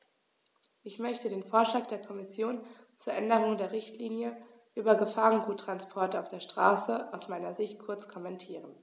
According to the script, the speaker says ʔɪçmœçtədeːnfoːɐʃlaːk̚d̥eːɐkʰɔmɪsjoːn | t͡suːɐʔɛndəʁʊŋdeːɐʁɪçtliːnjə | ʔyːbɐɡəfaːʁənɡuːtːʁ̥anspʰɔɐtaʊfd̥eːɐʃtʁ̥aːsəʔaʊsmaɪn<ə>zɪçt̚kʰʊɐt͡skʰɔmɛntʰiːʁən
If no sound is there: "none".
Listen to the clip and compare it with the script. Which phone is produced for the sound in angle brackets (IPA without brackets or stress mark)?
ɐ